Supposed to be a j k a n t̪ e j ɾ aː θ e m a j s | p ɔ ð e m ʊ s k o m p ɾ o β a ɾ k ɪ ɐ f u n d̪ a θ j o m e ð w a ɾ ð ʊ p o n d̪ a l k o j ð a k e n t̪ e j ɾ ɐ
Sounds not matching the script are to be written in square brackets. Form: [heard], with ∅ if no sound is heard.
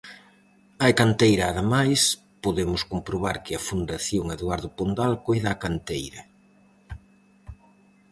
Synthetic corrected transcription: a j k a n t̪ e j ɾ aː [ð] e m a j s | p [o] ð e m ʊ s k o m p ɾ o β a ɾ k ɪ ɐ f u n d̪ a θ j o [ŋ] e ð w a ɾ ð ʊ p o n d̪ a l k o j ð a k [a] n t̪ e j ɾ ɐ